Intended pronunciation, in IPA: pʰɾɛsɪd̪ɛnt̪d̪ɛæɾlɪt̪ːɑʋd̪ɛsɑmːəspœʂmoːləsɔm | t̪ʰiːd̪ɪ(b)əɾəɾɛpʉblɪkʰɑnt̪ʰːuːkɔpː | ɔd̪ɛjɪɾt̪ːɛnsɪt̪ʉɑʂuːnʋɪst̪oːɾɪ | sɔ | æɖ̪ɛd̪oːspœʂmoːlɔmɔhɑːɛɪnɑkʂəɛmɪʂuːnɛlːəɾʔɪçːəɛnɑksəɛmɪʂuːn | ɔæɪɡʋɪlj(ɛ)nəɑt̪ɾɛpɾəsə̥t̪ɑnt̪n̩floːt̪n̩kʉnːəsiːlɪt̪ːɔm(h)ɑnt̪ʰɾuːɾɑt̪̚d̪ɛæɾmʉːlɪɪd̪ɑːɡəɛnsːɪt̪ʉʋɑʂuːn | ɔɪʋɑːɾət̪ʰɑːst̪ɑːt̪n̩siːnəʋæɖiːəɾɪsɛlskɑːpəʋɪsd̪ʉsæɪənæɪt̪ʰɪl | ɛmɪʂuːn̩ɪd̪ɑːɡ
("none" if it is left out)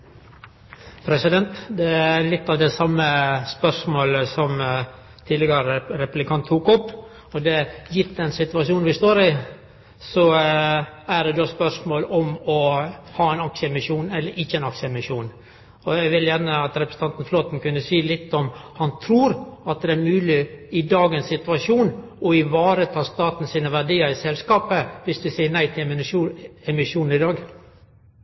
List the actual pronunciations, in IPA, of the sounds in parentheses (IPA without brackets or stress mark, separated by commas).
ɡ, æ, h